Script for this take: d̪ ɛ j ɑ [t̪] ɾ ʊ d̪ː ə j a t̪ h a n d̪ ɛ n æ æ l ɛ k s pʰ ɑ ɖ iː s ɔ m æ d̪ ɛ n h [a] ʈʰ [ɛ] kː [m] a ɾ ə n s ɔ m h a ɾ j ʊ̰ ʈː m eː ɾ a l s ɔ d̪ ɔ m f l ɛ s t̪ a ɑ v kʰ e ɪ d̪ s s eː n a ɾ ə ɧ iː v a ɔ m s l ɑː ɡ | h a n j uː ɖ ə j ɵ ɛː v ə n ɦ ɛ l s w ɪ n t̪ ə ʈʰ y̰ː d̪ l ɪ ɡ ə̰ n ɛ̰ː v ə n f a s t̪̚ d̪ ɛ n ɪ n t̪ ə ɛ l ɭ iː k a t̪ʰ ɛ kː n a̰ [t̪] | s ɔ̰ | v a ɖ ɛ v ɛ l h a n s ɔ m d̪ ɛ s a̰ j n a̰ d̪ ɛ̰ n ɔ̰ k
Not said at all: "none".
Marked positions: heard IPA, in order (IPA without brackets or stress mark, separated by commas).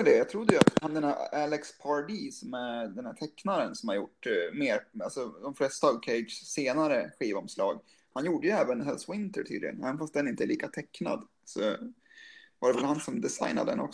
t̪ʰ, æ, ɛ, n, d̪